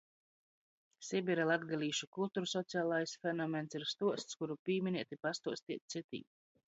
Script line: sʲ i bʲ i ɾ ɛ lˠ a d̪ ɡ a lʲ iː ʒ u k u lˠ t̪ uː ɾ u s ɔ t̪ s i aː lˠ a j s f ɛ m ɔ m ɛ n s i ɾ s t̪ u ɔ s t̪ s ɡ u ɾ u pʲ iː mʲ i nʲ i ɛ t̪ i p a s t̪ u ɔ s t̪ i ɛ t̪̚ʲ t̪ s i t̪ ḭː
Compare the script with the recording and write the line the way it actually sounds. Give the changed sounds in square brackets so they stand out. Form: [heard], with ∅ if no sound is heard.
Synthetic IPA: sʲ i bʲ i ɾ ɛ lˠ a d̪ ɡ a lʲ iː [ʃ] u k u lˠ t̪ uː ɾ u s ɔ t̪ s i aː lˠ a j s f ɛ [n] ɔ m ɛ n s i ɾ s t̪ u ɔ s t̪ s [k] u ɾ u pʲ iː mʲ i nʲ i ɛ t̪ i p a s t̪ u ɔ s t̪ i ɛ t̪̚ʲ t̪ s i t̪ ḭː